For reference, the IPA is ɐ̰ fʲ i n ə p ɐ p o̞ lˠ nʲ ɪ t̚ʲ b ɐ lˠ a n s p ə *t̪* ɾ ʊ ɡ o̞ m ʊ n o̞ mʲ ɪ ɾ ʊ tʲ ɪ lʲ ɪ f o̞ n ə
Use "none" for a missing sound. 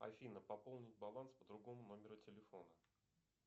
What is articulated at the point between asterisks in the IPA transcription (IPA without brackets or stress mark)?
d̪